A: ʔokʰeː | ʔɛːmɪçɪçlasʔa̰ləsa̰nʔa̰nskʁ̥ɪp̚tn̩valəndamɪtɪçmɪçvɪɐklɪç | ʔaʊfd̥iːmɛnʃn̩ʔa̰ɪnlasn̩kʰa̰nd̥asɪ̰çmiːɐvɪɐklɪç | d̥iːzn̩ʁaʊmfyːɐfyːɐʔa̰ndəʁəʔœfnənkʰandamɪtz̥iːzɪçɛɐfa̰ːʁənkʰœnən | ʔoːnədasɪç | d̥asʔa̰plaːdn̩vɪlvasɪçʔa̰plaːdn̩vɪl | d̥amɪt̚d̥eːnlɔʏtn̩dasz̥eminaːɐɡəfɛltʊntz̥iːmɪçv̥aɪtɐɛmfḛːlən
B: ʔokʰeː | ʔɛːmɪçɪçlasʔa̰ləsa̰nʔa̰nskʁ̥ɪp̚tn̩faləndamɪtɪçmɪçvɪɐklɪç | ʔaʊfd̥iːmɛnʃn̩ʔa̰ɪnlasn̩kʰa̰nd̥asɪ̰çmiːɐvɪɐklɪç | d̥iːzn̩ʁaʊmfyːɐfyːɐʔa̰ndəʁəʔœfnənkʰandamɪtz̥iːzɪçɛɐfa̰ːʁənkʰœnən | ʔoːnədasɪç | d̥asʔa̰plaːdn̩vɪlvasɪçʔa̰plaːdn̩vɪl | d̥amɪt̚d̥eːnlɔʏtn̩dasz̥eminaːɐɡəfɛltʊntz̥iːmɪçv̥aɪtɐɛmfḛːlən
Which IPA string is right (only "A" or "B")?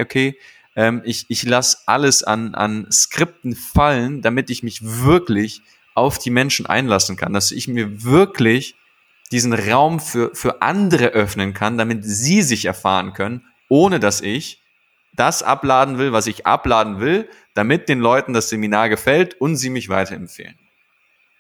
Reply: B